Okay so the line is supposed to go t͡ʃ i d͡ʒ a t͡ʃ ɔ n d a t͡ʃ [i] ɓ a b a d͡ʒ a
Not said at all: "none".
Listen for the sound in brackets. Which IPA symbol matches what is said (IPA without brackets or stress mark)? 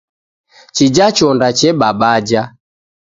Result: ɛ